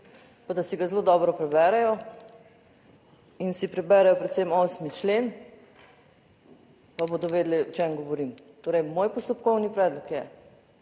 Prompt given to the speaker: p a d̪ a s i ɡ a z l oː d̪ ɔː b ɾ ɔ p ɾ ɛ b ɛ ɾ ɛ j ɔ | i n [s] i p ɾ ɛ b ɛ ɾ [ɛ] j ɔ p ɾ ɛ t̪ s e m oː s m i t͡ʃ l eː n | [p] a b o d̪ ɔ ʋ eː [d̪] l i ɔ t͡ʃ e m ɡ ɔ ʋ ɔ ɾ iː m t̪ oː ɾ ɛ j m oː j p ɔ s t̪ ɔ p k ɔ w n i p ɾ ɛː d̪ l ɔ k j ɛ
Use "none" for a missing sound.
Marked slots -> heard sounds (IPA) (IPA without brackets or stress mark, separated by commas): s, ɛ, p, d̪